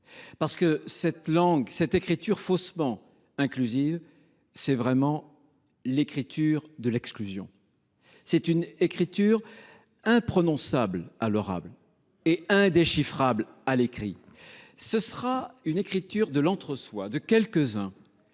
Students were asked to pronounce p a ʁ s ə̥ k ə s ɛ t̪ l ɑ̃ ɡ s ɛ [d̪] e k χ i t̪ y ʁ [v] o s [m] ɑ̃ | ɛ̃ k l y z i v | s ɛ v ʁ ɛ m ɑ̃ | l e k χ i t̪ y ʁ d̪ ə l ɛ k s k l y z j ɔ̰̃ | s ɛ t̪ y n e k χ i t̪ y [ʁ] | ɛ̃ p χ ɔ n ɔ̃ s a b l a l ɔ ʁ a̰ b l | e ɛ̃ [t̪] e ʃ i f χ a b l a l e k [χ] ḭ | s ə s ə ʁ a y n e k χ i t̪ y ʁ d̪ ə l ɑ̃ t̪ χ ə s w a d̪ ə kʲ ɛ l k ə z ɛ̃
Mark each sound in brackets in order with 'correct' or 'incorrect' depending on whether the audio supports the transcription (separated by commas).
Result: incorrect, incorrect, correct, correct, incorrect, correct